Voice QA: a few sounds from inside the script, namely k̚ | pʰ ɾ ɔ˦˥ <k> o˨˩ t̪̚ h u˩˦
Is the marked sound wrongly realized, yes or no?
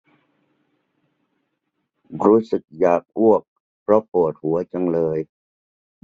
yes